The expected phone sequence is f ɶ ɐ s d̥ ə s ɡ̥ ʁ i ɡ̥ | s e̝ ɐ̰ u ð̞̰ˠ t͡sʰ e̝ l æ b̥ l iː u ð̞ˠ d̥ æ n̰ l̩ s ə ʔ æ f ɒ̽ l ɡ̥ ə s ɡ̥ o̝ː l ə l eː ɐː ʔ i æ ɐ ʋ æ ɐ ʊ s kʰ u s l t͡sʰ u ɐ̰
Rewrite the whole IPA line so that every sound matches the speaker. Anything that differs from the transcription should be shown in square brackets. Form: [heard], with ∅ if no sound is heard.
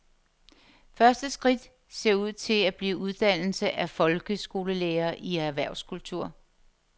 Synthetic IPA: f ɶ ɐ s d̥ ə s ɡ̥ ʁ i [d̥] | s e̝ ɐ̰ u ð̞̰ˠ t͡sʰ e̝ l æ b̥ l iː u ð̞ˠ d̥ æ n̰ l̩ s ə ʔ æ f ɒ̽ l ɡ̥ ə s ɡ̥ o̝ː l ə l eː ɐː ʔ i æ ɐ ʋ æ ɐ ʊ s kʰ u [∅] l t͡sʰ u ɐ̰